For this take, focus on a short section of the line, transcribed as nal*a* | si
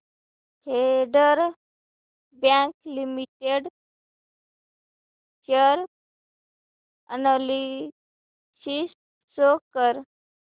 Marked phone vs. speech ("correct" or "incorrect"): incorrect